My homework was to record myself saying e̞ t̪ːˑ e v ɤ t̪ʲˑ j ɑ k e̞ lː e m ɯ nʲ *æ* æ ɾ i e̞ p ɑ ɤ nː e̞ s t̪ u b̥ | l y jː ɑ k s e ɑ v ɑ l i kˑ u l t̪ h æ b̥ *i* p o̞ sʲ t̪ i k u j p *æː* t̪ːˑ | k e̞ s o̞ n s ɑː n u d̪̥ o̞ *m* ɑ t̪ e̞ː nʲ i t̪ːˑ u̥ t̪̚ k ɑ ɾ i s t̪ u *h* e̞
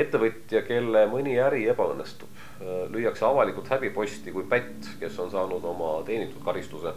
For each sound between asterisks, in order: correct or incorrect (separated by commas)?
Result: incorrect, correct, incorrect, correct, incorrect